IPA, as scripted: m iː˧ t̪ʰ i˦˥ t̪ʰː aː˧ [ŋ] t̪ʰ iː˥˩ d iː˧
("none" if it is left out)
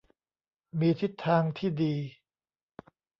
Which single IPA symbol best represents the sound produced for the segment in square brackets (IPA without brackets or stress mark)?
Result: ŋ